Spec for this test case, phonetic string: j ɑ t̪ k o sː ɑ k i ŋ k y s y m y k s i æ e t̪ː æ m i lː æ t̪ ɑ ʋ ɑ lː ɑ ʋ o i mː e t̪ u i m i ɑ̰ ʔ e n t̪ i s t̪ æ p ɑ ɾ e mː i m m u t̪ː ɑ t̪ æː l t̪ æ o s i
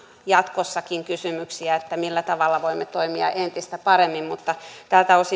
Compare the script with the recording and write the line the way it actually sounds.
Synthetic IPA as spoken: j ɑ t̪ k o sː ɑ k i ŋ k y s y m y k s i æ e t̪ː æ m i lː æ t̪ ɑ ʋ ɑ lː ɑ ʋ o i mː e t̪ o i m i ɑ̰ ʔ e n t̪ i s t̪ æ p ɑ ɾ e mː i m m u t̪ː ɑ t̪ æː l t̪ æ o s i